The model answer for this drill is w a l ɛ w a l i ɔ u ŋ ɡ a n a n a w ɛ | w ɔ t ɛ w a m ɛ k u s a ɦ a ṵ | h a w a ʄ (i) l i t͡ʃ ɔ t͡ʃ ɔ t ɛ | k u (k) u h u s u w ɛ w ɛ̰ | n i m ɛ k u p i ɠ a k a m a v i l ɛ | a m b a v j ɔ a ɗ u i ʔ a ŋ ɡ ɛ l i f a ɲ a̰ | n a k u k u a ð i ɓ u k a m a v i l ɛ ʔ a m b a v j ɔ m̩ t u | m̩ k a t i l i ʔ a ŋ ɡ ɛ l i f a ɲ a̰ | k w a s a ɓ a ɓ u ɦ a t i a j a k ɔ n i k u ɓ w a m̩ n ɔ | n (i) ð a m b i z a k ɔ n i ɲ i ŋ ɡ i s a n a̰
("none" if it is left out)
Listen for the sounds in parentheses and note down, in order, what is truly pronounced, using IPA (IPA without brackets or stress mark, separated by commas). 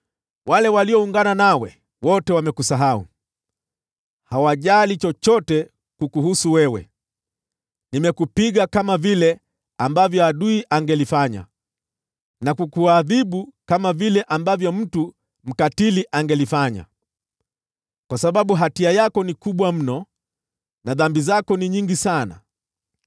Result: a, k, a